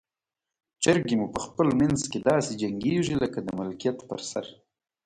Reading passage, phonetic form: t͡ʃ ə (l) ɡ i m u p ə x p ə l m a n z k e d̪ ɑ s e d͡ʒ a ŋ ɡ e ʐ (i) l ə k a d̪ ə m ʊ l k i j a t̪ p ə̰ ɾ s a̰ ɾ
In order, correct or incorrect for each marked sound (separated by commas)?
incorrect, correct